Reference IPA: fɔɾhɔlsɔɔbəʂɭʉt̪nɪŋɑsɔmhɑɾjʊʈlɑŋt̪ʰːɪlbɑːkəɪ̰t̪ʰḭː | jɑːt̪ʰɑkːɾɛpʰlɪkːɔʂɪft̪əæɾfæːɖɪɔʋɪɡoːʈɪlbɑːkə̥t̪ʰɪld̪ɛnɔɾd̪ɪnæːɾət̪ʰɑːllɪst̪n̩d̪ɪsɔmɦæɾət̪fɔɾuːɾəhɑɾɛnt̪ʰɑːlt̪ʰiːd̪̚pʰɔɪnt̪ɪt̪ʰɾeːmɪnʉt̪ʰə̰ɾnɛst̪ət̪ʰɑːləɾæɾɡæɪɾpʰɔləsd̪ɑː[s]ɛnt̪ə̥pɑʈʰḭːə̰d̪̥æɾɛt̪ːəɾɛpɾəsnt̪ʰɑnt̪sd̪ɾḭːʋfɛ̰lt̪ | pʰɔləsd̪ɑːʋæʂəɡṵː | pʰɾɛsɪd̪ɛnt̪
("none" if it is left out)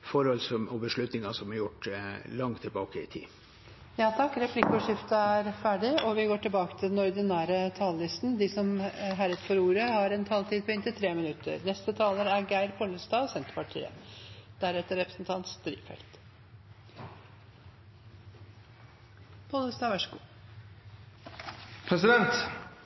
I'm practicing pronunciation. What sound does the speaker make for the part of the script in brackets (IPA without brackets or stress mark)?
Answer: s